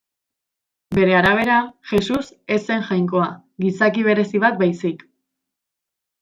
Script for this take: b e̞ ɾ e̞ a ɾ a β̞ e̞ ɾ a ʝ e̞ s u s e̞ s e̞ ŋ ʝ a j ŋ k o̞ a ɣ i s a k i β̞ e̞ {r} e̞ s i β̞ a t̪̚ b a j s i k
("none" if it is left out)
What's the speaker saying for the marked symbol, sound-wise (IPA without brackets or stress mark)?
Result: ɾ